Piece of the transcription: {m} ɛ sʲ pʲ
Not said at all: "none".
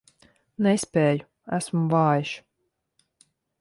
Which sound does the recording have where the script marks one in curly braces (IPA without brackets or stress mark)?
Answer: n